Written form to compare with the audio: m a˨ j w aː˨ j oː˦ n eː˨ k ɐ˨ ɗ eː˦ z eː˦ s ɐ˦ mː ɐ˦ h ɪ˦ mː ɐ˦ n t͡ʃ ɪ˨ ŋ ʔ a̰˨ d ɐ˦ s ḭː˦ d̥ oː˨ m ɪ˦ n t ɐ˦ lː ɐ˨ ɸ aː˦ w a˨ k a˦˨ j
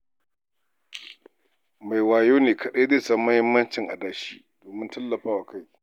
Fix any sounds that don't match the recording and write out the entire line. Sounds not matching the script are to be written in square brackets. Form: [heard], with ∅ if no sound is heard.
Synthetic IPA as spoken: m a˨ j w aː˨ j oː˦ n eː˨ k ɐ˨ ɗ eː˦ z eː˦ s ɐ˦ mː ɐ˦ h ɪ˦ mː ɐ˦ n t͡ʃ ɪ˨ ŋ ʔ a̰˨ d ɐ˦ [ʃ] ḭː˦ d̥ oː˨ m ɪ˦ n t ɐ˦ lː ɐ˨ ɸ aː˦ w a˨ k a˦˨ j